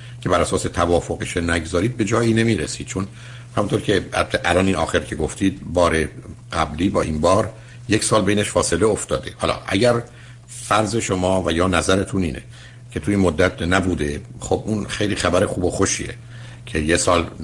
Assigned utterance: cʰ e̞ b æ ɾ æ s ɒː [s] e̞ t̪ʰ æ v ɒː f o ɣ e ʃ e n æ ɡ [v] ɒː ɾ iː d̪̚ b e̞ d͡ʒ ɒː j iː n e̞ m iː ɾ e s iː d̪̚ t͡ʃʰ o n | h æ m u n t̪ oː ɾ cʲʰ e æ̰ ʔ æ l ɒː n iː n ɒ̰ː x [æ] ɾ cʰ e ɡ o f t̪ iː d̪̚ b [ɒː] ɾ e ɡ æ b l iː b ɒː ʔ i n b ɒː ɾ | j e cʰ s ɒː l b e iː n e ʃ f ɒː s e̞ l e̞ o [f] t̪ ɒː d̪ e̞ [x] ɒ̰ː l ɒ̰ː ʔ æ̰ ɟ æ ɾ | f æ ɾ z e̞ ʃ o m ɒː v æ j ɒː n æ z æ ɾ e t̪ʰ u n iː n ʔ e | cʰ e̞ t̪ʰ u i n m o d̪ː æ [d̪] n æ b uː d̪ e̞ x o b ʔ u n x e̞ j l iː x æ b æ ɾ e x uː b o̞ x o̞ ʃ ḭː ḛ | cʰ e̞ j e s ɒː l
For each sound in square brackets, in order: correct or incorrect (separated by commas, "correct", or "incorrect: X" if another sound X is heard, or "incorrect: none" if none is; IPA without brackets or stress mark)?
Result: correct, incorrect: z, incorrect: e, correct, correct, incorrect: h, incorrect: t̪